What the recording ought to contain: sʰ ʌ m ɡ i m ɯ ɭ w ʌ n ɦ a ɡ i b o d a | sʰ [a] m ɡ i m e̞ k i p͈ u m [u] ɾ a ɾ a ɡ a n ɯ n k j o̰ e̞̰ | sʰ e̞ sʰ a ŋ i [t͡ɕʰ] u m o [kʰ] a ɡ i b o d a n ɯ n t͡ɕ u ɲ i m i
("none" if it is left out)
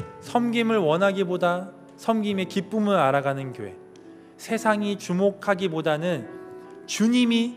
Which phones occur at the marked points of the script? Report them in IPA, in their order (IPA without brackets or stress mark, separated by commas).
ʌ, ɯ, t͡ɕ, kʰ